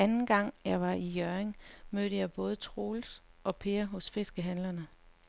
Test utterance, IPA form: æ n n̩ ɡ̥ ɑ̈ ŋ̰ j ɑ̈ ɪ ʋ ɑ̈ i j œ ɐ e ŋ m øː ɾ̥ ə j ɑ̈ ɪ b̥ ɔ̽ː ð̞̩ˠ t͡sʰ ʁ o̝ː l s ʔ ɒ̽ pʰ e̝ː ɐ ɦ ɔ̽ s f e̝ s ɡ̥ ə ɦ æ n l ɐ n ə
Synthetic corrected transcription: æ n n̩ ɡ̥ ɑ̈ ŋ̰ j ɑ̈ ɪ ʋ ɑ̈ i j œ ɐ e ŋ m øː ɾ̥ ə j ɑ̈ ɪ b̥ ɔ̽ː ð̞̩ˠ t͡sʰ ʁ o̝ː l s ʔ ɒ̽ pʰ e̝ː ɐ ɦ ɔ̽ s f e̝ s ɡ̥ ə ɦ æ n l ɐ n ə

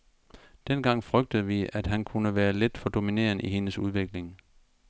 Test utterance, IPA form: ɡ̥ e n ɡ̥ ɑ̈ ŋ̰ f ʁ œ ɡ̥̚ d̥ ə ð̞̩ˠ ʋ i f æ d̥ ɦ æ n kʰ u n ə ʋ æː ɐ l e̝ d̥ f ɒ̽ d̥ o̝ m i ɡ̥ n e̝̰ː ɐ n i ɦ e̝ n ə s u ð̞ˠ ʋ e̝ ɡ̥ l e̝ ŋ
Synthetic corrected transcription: d̥ e n ɡ̥ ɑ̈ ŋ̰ f ʁ œ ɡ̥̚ d̥ ə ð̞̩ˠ ʋ i æ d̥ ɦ æ n kʰ u n ə ʋ æː ɐ l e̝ d̥ f ɒ̽ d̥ o̝ m i n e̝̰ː ɐ n i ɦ e̝ n ə s u ð̞ˠ ʋ e̝ ɡ̥ l e̝ ŋ

